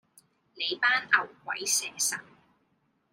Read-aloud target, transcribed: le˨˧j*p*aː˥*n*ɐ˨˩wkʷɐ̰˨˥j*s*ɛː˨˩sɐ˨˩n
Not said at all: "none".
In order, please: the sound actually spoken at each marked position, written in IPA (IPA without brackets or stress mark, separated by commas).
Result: p, n, s